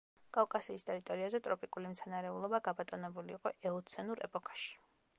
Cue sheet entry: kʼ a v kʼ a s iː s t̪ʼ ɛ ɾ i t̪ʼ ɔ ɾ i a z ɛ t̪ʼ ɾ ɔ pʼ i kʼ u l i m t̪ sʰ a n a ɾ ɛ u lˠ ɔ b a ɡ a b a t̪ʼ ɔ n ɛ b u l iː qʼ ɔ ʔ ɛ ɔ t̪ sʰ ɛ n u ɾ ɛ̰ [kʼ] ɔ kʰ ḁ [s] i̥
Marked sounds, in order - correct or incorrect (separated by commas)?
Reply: incorrect, incorrect